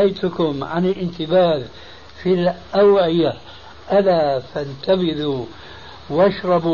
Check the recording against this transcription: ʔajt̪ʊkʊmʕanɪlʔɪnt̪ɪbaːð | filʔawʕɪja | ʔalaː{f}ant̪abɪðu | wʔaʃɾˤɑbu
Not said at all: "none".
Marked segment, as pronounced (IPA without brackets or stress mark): f